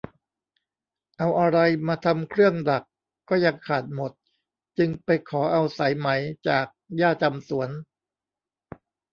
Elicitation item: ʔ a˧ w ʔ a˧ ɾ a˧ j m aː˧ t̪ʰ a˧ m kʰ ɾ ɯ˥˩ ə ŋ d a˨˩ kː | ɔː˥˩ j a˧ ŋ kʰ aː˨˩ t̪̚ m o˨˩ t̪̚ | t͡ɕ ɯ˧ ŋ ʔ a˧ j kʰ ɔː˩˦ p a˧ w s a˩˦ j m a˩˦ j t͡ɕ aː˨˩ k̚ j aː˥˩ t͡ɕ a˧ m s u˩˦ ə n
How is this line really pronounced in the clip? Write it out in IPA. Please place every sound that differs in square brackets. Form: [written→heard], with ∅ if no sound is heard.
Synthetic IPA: ʔ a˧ w ʔ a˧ ɾ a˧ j m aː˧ t̪ʰ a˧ m kʰ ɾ ɯ˥˩ ə ŋ d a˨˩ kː | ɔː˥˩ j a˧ ŋ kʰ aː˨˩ t̪̚ m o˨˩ t̪̚ | t͡ɕ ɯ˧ ŋ [ʔ→p] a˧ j kʰ ɔː˩˦ [p→ʔ] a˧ w s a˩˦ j m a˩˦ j t͡ɕ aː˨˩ k̚ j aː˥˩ t͡ɕ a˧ m s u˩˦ ə n